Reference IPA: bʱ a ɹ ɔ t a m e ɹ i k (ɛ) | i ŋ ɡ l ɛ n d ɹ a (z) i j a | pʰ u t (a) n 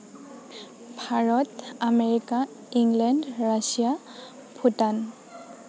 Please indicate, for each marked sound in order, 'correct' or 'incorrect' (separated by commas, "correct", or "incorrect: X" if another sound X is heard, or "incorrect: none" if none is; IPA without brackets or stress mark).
incorrect: a, incorrect: s, correct